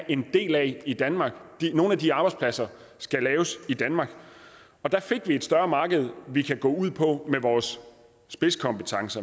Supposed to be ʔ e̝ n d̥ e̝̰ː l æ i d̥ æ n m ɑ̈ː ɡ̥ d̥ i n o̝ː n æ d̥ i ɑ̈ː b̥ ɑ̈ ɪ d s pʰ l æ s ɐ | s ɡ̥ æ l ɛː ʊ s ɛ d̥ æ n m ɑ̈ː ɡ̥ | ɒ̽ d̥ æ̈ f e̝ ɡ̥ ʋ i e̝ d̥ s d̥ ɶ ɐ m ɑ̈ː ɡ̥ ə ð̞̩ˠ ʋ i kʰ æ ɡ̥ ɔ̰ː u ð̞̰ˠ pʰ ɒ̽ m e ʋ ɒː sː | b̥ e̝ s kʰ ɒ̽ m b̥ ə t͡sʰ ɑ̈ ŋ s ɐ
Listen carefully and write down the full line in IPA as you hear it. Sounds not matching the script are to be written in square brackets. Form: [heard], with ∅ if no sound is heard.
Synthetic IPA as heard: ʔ e̝ n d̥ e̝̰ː l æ i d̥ æ n m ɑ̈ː ɡ̥ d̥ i n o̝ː n æ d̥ i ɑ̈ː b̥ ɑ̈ ɪ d s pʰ l æ s ɐ | s ɡ̥ æ l ɛː ʊ s [i] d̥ æ n m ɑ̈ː ɡ̥ | ɒ̽ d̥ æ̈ f e̝ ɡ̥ ʋ i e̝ d̥ s d̥ ɶ ɐ m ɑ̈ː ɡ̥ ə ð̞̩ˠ ʋ i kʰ æ ɡ̥ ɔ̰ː u ð̞̰ˠ pʰ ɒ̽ m e ʋ ɒː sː | b̥ e̝ s kʰ ɒ̽ m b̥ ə t͡sʰ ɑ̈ ŋ s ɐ